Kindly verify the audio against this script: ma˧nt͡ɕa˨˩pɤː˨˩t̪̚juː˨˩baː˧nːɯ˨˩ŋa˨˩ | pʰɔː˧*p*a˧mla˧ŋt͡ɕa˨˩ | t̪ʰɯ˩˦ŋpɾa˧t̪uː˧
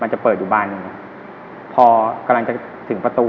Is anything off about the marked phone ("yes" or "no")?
yes